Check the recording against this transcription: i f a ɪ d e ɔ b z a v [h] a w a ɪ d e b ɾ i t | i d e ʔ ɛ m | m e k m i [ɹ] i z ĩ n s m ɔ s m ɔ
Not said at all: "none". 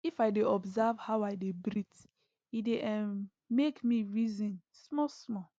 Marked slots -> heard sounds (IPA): h, ɹ

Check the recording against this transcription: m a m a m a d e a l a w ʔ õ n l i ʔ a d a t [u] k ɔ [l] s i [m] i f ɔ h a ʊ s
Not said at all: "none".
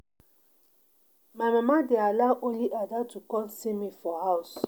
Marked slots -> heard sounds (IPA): u, l, m

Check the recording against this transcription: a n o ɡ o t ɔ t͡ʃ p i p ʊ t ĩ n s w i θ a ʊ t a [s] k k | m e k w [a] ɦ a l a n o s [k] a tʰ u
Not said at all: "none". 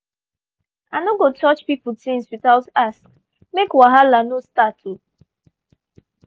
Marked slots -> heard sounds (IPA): s, a, t

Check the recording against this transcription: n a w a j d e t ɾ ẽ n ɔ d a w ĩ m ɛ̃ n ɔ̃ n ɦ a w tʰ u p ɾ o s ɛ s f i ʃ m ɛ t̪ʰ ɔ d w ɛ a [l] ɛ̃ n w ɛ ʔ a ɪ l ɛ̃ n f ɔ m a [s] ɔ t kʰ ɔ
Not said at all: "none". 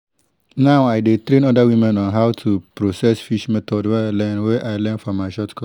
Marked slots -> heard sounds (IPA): l, ʃ

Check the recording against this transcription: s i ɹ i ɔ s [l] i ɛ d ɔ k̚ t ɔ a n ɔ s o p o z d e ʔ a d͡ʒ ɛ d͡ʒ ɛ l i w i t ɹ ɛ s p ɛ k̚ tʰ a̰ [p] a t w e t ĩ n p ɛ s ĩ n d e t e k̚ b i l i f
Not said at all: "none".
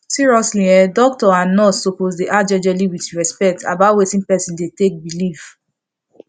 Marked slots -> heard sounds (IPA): l, b

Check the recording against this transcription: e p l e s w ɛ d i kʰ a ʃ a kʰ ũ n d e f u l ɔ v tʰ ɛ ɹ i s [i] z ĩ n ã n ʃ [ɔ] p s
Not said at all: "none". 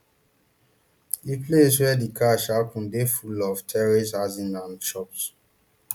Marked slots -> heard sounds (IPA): a, ɔ

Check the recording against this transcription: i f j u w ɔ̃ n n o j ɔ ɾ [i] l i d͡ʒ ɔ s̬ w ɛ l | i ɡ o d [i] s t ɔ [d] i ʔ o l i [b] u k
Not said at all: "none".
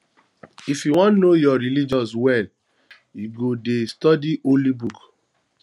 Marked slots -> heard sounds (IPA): i, e, d, b

